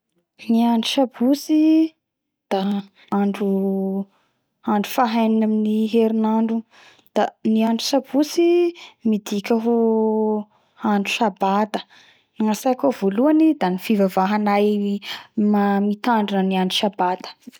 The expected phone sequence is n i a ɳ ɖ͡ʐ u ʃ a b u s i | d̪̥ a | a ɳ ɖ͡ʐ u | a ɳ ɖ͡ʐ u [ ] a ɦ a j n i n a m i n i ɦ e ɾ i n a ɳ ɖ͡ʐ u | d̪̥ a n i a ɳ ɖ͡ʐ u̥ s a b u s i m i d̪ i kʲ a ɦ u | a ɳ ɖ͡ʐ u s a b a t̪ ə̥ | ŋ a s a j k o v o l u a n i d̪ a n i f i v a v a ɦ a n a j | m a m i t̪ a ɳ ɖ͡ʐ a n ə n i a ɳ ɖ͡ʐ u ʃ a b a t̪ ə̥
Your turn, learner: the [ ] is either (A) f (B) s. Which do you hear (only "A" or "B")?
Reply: A